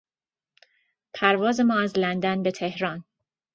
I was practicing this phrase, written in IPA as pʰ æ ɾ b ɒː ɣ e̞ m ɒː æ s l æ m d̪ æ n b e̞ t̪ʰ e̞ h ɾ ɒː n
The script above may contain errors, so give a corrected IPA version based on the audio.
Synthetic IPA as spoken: pʰ æ ɾ v ɒː z e̞ m ɒː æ z l æ n d̪ æ n b e̞ t̪ʰ e̞ h ɾ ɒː n